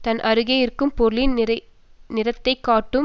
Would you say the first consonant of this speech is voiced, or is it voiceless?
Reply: voiceless